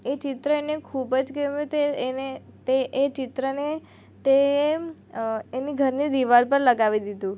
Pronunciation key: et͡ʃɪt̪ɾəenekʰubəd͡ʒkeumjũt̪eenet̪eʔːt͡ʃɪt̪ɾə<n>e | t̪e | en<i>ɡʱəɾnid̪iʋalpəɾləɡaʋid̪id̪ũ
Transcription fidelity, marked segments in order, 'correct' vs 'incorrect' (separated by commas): correct, correct